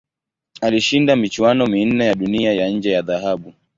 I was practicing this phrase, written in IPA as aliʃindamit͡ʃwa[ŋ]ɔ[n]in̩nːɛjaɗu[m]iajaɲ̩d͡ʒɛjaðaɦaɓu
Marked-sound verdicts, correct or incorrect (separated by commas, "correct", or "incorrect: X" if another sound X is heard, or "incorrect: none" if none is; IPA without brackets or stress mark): incorrect: n, incorrect: m, incorrect: n